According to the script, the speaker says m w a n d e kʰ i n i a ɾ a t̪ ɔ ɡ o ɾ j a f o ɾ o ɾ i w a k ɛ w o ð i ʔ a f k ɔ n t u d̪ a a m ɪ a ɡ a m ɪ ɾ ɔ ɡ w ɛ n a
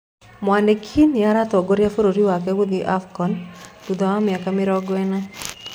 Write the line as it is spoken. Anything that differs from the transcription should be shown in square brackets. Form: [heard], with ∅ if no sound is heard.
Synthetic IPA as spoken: m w a n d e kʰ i n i a ɾ a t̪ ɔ ɡ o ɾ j a f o ɾ o ɾ i w a k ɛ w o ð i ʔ a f k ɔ n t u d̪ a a m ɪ a [k] a m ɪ ɾ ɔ ɡ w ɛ n a